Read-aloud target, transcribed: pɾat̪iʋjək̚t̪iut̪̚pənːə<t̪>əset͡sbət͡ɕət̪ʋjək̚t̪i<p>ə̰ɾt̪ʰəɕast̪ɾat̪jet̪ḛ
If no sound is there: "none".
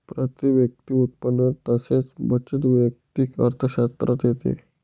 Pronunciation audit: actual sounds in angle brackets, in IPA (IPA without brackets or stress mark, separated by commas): t̪, k